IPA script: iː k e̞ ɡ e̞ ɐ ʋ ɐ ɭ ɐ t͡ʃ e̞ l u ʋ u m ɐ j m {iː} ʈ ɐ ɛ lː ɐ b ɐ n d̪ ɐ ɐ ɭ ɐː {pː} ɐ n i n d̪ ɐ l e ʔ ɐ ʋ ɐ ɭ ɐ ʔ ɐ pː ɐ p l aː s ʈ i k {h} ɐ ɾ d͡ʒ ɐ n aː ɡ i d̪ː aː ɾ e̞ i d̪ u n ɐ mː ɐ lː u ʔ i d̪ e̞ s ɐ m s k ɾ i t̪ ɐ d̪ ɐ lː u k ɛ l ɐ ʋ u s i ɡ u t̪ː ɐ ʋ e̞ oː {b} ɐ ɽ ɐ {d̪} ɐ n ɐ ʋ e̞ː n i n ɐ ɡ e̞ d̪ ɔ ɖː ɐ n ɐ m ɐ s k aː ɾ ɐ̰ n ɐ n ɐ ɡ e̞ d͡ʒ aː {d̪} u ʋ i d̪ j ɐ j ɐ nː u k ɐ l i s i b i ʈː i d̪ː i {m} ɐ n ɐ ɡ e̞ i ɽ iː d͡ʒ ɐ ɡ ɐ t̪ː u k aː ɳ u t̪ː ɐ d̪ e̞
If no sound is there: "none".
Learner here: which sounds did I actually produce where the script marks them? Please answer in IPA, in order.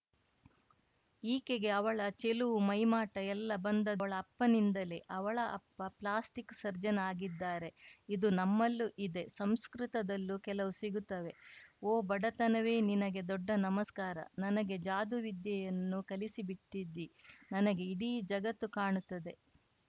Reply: aː, pː, s, b, t̪, d̪, n

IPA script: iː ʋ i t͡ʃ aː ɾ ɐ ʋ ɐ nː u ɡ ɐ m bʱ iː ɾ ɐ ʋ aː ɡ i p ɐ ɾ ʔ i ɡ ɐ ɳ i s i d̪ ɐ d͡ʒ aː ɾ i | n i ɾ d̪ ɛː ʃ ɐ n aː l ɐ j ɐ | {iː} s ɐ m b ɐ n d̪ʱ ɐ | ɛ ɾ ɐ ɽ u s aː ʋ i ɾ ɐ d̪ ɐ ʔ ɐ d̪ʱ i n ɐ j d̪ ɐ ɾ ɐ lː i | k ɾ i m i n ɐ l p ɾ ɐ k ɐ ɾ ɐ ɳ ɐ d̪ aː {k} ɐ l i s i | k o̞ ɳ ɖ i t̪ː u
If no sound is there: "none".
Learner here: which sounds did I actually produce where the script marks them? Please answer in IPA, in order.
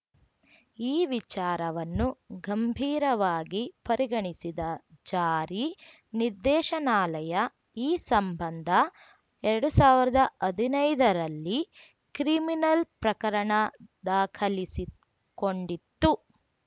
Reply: iː, kʰ

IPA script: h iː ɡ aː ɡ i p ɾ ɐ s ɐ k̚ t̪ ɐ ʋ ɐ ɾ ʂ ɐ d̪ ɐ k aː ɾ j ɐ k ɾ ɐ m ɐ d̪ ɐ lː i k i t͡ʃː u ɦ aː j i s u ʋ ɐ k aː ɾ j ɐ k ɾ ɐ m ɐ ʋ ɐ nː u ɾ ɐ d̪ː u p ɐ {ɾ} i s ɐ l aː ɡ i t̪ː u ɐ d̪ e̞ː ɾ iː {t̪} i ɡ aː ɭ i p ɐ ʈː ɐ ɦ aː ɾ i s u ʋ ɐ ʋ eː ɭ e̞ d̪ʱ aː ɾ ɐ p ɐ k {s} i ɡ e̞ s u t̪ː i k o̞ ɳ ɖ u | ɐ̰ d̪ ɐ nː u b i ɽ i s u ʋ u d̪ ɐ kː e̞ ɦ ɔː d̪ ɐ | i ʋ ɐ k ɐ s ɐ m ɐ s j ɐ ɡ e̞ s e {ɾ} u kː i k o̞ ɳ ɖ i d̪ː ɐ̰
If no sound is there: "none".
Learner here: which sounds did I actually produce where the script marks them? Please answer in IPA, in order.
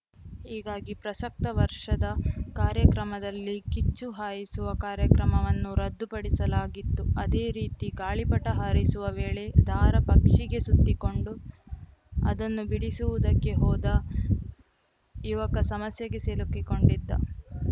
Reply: ɽ, t̪, ʂ, l

